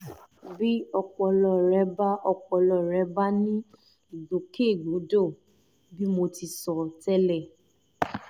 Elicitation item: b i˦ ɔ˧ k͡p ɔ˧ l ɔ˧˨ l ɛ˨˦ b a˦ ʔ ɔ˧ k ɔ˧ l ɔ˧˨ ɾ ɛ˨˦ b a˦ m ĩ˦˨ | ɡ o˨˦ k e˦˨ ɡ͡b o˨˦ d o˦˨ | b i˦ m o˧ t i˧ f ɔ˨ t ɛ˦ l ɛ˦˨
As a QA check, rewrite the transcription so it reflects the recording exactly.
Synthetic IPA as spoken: b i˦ ɔ˧ k͡p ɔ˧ l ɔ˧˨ ɾ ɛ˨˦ b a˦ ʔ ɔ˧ k͡p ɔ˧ l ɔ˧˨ ɾ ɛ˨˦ b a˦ n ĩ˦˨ | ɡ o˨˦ k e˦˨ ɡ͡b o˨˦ d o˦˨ | b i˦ m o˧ t i˧ s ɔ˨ t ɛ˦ l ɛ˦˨